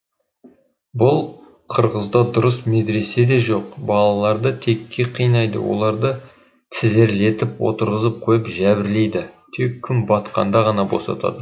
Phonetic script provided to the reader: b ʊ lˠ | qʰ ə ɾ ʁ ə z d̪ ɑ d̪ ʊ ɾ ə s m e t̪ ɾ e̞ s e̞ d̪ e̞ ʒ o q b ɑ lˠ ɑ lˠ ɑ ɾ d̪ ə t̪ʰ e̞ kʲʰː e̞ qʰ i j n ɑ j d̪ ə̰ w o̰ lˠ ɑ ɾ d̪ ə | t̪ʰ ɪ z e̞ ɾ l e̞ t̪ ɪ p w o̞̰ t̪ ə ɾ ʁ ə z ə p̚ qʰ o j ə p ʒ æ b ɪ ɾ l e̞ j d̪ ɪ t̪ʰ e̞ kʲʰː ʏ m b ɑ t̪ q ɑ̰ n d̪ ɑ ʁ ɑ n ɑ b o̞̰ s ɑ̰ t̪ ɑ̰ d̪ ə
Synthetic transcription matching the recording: b ʊ lˠ | qʰ ə ɾ ʁ ə z d̪ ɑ d̪ ʊ ɾ ə s m e d̪ ɾ e̞ s e̞ d̪ e̞ ʒ o q b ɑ lˠ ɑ lˠ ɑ ɾ d̪ ə t̪ʰ e̞ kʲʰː e̞ qʰ i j n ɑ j d̪ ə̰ w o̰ lˠ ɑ ɾ d̪ ə | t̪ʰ ɪ z e̞ ɾ l e̞ t̪ ɪ p w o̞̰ t̪ ə ɾ ʁ ə z ə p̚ qʰ o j ə p ʒ æ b ɪ ɾ l e̞ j d̪ ɪ t̪ʰ e̞ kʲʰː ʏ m b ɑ t̪ q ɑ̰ n d̪ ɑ ʁ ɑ n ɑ b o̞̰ s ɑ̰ t̪ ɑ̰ d̪ ə